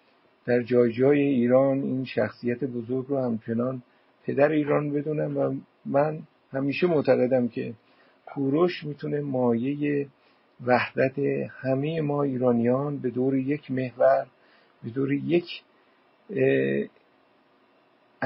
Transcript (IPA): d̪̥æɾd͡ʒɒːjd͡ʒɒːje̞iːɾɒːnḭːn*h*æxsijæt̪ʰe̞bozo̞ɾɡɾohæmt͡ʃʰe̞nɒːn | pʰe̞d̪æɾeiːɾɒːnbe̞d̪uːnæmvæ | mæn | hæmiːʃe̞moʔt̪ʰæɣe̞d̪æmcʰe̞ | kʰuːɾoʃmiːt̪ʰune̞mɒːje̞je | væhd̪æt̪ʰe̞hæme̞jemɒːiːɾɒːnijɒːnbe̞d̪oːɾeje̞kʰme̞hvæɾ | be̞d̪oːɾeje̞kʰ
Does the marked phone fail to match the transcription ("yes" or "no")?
yes